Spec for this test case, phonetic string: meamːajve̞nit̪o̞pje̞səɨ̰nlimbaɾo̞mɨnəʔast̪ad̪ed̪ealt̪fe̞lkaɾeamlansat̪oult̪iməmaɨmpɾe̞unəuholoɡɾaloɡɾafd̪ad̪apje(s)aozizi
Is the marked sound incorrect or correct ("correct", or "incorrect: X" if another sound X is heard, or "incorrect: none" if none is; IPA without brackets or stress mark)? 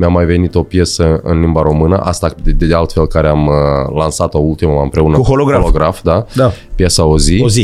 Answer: correct